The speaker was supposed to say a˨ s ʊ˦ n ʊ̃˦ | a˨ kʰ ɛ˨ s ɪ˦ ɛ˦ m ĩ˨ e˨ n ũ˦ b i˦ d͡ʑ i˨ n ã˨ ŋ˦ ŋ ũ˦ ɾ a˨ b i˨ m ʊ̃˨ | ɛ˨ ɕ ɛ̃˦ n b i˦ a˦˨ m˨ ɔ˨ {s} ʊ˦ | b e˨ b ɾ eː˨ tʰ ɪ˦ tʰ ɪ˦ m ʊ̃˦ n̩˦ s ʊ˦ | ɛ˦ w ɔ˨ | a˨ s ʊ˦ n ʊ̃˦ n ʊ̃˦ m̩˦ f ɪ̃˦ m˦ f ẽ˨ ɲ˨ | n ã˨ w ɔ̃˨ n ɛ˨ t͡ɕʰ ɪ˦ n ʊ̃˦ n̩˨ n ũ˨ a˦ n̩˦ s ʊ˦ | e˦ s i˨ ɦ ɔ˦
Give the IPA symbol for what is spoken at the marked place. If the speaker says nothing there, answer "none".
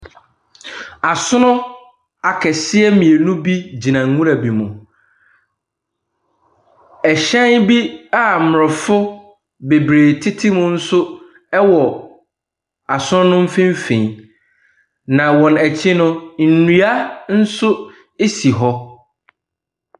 f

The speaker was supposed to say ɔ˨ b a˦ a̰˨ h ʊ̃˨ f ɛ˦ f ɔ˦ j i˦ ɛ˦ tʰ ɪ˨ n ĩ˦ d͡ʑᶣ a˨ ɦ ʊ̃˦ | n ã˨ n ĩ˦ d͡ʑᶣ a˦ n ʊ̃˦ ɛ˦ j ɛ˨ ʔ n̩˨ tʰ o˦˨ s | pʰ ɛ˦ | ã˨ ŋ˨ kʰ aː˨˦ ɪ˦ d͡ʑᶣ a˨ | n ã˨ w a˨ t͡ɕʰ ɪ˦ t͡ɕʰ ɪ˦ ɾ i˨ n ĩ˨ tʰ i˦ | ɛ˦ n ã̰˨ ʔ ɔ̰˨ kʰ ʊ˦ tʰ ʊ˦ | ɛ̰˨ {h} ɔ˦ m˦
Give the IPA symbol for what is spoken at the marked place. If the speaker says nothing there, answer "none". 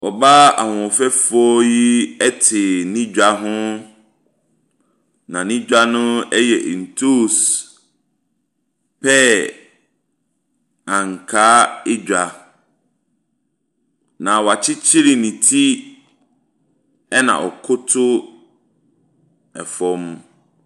f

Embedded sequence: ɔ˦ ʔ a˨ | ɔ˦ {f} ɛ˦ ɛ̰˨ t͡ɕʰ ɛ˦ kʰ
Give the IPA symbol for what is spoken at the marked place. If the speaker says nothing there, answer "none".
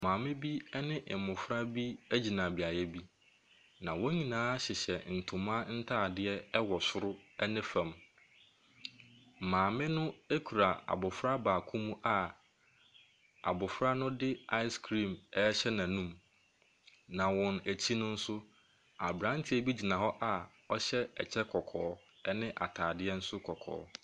ɕ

